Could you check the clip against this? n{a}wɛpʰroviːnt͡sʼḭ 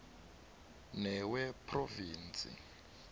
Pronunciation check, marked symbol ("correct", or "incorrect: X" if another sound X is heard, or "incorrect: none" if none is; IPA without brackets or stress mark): incorrect: ɛ